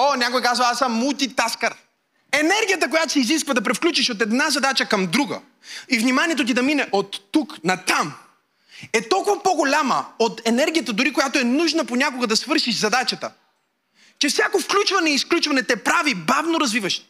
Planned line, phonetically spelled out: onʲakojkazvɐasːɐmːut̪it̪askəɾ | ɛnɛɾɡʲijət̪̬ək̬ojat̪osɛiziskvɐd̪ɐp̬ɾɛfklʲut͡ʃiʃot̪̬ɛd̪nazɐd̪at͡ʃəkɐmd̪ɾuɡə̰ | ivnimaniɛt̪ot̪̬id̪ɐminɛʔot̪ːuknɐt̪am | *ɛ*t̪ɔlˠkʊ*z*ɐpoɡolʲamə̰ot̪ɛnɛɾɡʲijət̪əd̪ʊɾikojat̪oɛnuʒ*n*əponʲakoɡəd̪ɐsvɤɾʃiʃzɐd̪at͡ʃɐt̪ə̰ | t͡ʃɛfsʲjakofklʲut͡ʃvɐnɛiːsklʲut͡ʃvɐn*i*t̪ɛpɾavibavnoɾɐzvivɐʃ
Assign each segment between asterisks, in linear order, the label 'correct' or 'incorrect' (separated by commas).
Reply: correct, incorrect, correct, incorrect